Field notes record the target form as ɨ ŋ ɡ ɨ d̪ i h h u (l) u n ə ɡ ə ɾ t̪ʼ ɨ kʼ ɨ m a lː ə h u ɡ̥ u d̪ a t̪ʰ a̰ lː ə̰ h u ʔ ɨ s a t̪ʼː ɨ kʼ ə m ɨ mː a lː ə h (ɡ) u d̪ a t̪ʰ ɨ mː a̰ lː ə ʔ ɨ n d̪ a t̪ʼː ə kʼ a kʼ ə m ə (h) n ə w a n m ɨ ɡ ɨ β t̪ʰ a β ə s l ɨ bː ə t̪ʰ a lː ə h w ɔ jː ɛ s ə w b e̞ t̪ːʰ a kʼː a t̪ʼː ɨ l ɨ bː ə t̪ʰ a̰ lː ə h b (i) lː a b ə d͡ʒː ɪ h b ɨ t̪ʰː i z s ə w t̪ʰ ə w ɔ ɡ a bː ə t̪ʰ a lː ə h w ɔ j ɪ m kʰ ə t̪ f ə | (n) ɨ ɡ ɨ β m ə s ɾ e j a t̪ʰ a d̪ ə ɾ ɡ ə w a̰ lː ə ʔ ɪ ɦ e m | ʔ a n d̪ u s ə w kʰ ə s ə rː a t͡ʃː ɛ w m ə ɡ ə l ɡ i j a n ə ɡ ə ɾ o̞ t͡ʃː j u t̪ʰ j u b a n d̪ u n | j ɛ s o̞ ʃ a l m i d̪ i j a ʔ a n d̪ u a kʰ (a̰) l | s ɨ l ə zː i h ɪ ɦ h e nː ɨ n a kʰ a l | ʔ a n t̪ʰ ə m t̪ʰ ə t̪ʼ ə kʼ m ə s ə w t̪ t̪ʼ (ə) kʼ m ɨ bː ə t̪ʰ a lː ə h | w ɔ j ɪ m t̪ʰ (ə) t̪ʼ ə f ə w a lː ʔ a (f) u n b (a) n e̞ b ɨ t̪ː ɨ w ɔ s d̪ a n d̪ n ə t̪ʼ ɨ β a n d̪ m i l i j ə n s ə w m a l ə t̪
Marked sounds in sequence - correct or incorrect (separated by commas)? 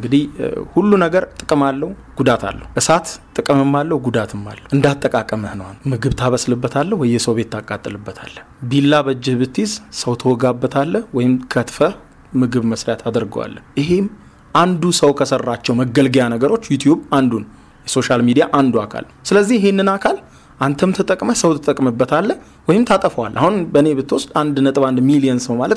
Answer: incorrect, correct, correct, correct, incorrect, correct, correct, incorrect, incorrect, incorrect